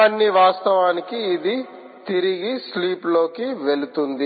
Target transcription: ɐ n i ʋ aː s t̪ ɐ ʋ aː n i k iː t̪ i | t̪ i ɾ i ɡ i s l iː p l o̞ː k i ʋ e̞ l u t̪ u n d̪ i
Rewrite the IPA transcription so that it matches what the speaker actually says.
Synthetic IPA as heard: ɐ nː i ʋ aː s t̪ ɐ ʋ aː n i k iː d̪ i | t̪ i ɾ i ɡ i s l iː p l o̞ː k i ʋ e̞ l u t̪ u n d̪ i